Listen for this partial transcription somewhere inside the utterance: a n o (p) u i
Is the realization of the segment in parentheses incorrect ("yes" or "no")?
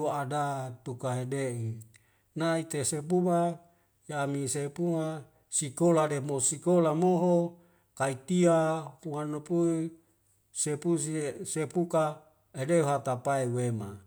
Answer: no